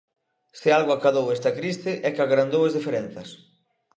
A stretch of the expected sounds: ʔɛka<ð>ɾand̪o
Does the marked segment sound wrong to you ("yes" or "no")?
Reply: yes